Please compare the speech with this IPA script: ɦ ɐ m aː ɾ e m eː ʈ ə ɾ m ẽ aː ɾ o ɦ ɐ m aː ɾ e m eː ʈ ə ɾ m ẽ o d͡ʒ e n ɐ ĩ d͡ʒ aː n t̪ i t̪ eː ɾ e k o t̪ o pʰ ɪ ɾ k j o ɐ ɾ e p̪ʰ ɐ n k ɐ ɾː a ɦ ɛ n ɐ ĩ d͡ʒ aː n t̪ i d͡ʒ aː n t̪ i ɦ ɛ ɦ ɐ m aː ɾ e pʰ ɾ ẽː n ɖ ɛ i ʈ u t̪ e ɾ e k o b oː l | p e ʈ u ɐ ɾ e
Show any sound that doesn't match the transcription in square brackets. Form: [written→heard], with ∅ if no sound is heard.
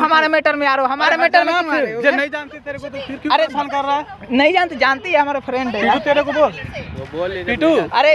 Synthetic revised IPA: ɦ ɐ m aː ɾ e m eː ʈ ə ɾ m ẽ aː ɾ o ɦ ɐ m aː ɾ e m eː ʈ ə ɾ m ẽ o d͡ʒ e n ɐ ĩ d͡ʒ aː n t̪ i t̪ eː ɾ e k o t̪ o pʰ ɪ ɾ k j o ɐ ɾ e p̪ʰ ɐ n k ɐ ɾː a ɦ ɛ n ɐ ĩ d͡ʒ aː n t̪ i d͡ʒ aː n t̪ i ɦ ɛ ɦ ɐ m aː ɾ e pʰ ɾ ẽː [n→ɳ] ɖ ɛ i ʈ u t̪ e ɾ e k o b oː l | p [e→i] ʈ u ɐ ɾ e

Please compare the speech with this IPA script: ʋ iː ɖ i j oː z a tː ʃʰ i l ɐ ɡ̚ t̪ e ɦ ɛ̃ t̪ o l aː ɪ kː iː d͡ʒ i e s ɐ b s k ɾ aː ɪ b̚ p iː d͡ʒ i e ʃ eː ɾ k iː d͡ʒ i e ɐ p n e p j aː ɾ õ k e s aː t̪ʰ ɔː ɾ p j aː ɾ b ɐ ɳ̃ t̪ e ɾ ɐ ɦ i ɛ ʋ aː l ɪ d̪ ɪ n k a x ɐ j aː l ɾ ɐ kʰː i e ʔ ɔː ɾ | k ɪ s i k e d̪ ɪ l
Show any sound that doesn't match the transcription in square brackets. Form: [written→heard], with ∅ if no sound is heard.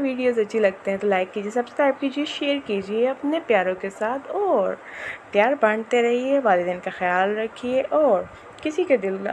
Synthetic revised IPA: ʋ iː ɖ i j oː z [a→ɐ] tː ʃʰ i l ɐ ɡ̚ t̪ e ɦ ɛ̃ t̪ o l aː ɪ kː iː d͡ʒ i e s ɐ b s k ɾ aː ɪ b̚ [p→k] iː d͡ʒ i e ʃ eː ɾ k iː d͡ʒ i e ɐ p n e p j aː ɾ õ k e s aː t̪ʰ ɔː ɾ p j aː ɾ b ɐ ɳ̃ t̪ e ɾ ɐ ɦ i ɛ ʋ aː l ɪ d̪ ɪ n k a x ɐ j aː l ɾ ɐ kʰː i e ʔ ɔː ɾ | k ɪ s i k e d̪ ɪ l

